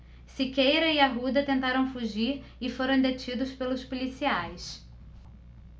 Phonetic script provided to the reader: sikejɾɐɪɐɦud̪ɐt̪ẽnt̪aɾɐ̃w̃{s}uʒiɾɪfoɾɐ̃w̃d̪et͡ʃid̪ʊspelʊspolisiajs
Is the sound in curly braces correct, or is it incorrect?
incorrect